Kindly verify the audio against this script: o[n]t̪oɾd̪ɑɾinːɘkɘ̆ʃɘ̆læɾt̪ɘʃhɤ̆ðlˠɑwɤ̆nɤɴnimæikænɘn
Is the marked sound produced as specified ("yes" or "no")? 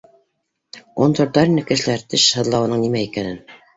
yes